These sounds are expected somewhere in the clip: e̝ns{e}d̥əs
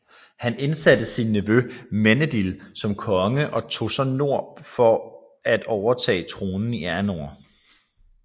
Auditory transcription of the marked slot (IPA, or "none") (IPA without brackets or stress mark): æ